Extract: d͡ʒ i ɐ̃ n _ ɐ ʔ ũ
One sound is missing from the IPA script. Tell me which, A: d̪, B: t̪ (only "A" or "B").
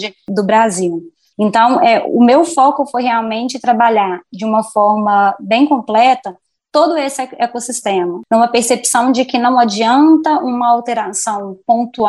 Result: B